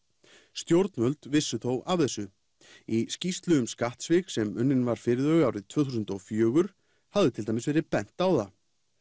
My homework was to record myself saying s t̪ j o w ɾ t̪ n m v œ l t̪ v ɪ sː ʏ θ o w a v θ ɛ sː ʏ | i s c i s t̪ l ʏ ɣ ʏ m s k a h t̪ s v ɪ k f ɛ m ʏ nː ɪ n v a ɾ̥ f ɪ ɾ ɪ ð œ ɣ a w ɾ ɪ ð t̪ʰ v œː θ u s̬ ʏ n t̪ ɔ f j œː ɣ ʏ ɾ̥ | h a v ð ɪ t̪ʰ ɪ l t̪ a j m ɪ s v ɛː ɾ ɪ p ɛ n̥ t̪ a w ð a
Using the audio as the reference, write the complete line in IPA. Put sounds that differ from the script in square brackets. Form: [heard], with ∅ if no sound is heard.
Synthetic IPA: s t̪ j o w ɾ t̪ n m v œ l t̪ v ɪ sː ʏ θ o w a v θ ɛ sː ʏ | i s c i s t̪ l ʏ ɣ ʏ m s k a h t̪ s v ɪ k [s] ɛ m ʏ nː ɪ n v a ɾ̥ f ɪ ɾ ɪ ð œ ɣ a w ɾ ɪ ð t̪ʰ v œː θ u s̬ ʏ n t̪ ɔ f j œː ɣ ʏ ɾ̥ | h a v ð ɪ t̪ʰ ɪ l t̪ a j m ɪ s v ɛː ɾ ɪ p ɛ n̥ t̪ a w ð a